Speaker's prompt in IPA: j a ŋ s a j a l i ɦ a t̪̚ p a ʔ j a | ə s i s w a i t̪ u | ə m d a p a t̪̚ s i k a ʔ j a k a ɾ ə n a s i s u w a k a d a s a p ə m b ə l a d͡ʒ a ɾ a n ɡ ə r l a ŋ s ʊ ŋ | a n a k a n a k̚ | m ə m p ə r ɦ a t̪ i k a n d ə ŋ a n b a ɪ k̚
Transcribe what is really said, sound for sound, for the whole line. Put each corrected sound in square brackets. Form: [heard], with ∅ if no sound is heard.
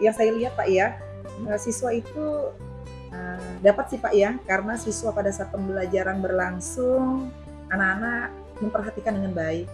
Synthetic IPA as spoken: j a ŋ s a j a l i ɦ a t̪̚ p a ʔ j a | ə s i s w a i t̪ u | ə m d a p a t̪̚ s i [p] a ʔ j a k a ɾ ə n a s i s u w a [p] a d a s a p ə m b ə l a d͡ʒ a ɾ a n [b] ə r l a ŋ s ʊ ŋ | a n a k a n a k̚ | m ə m p ə r ɦ a t̪ i k a n d ə ŋ a n b a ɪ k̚